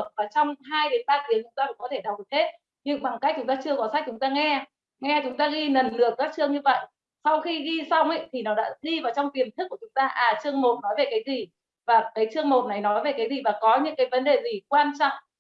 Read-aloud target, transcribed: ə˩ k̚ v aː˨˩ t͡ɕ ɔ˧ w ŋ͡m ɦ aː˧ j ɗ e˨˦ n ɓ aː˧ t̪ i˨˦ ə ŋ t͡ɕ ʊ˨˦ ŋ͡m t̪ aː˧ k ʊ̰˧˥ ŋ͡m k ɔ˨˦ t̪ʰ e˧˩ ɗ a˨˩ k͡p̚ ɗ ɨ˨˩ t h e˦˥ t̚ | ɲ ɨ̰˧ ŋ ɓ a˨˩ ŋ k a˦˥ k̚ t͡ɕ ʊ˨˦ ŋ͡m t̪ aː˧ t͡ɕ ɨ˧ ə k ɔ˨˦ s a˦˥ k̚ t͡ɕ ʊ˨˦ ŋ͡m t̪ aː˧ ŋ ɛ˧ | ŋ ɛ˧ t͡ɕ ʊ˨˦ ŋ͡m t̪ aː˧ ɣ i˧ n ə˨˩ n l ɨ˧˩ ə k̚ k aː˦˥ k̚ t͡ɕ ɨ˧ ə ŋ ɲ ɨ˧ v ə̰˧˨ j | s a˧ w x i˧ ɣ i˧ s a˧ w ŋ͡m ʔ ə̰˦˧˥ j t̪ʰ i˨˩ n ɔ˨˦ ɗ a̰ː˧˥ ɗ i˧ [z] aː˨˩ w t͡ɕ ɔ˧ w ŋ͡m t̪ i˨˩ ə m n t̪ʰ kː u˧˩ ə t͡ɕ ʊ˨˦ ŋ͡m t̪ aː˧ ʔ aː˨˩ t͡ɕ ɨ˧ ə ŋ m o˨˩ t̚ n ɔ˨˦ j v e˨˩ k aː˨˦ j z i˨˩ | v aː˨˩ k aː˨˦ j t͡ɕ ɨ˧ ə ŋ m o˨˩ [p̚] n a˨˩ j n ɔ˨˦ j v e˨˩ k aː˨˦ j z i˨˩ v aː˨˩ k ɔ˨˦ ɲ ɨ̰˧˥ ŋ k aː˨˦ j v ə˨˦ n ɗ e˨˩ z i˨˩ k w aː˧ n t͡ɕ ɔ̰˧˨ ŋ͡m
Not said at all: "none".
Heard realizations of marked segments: v, t̚

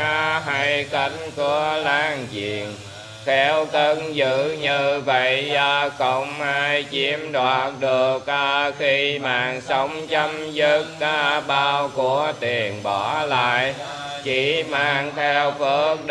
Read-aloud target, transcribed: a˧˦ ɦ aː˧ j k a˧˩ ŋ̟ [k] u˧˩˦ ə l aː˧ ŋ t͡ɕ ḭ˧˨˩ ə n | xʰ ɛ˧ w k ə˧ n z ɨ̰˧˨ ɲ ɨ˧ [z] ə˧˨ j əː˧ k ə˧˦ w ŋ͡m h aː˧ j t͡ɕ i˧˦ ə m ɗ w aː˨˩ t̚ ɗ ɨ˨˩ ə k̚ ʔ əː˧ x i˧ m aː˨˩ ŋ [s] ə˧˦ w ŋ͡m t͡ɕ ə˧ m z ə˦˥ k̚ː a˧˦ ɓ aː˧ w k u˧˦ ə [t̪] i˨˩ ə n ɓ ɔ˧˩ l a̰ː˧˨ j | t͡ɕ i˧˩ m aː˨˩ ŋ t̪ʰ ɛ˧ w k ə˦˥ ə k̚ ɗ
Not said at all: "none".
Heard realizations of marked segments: k, v, s, t̪

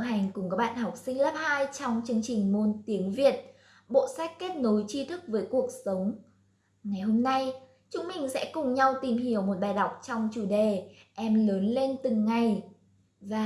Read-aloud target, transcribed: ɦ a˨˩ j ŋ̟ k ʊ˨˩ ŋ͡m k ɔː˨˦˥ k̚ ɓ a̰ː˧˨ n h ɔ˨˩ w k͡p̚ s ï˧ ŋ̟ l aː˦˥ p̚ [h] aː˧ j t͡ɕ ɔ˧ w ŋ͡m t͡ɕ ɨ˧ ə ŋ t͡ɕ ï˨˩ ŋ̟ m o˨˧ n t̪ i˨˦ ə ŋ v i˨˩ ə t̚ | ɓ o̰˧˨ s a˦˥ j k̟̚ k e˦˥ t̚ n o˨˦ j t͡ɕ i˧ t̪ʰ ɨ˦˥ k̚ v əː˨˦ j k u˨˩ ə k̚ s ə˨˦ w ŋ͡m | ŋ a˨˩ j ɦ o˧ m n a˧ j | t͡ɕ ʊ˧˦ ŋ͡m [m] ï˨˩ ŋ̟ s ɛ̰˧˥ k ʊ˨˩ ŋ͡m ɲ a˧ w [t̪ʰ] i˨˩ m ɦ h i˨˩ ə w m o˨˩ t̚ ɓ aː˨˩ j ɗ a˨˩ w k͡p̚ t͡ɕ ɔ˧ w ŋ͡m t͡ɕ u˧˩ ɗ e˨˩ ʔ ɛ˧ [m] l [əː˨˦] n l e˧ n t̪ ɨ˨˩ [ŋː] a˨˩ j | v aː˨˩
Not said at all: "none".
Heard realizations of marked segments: h, m, t̪, m, əː˨˦, ŋː

